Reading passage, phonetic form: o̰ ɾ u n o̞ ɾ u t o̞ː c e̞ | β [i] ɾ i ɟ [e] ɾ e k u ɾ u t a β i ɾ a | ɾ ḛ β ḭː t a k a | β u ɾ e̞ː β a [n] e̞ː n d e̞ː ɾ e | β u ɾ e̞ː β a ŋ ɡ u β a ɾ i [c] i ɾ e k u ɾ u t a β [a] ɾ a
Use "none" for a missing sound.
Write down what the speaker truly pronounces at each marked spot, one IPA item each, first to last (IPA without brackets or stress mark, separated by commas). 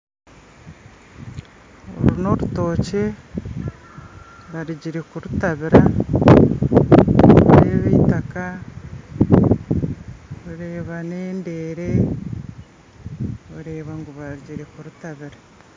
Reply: a, i, n, ɟ, i